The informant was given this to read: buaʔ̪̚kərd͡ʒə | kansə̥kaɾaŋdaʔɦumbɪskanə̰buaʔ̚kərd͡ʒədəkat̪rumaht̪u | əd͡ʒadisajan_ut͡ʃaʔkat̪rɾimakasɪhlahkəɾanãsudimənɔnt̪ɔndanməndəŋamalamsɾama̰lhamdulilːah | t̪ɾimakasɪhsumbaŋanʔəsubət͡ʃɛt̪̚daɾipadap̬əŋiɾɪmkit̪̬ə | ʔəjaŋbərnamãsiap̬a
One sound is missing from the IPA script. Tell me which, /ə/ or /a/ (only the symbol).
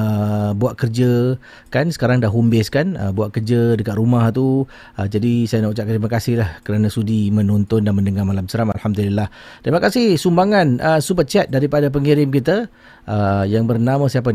a